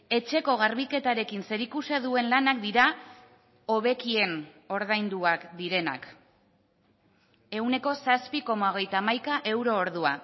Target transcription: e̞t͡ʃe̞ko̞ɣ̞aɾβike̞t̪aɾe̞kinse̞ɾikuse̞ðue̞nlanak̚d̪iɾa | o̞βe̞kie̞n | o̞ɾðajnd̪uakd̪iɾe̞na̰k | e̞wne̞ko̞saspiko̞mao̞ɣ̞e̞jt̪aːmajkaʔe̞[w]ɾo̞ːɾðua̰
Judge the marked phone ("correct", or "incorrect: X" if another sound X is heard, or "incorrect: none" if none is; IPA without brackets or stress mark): correct